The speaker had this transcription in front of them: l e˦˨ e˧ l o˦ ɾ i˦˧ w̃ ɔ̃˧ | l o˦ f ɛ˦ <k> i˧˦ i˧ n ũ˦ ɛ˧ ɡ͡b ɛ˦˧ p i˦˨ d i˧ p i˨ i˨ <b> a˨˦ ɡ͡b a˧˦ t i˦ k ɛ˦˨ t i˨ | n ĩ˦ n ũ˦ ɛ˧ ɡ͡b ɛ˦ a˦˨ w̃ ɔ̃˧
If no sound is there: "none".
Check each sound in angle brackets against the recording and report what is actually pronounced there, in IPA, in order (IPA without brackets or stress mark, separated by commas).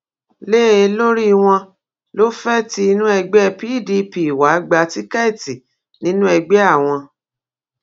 t, w